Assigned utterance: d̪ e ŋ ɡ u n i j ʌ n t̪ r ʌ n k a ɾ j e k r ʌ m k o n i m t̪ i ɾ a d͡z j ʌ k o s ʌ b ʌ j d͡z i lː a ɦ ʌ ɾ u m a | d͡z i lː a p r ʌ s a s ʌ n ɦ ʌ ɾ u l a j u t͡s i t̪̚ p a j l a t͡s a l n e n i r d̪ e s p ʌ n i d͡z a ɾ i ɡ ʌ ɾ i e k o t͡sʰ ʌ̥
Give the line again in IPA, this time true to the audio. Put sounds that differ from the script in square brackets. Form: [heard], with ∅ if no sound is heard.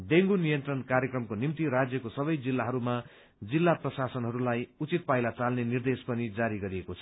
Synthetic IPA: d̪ e ŋ ɡ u n i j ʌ n t̪ r ʌ n k a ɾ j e k r ʌ m k o n i m t̪ i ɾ a d͡z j ʌ k o s ʌ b ʌ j d͡z i lː a ɦ ʌ ɾ u m a | d͡z i lː a p r ʌ s a s ʌ n ɦ ʌ ɾ u l a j u t͡s i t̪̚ p a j l a t͡s a l n e n i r d̪ e s p ʌ n i d͡z a ɾ i ɡ ʌ ɾ i e k o t͡sʰ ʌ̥